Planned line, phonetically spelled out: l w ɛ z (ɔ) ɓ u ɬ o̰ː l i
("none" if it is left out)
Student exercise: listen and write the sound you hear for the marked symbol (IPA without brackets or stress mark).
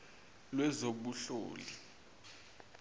o